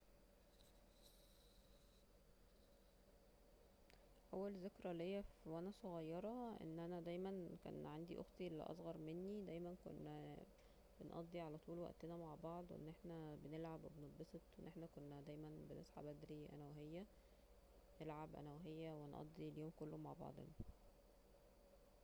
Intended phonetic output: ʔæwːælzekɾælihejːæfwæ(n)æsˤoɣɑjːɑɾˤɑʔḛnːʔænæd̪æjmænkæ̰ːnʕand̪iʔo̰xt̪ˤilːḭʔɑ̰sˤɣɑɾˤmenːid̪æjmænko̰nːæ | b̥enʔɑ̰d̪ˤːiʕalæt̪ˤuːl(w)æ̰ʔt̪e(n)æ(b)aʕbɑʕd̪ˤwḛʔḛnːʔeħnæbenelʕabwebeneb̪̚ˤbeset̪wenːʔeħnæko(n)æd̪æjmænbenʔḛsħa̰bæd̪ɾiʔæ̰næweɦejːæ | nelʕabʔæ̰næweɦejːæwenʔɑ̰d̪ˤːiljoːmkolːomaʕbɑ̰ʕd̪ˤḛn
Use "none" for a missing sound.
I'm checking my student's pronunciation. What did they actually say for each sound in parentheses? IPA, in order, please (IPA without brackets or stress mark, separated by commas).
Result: n, w, n, m, nː